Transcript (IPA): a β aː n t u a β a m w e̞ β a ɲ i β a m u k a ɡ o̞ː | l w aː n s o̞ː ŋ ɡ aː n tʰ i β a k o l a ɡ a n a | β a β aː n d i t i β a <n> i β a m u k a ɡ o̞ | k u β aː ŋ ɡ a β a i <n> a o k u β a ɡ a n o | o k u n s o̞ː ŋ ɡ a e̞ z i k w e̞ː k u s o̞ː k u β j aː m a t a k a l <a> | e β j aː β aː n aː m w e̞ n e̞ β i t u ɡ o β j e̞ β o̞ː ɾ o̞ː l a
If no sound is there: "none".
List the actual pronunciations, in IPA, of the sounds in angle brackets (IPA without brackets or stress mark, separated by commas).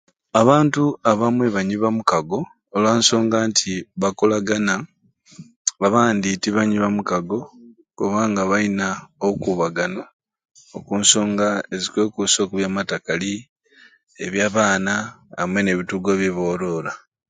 ɲ, n, i